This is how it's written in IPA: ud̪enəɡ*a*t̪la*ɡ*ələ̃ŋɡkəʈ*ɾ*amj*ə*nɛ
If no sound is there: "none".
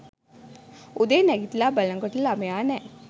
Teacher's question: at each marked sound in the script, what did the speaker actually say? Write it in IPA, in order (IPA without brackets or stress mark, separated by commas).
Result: i, b, l, a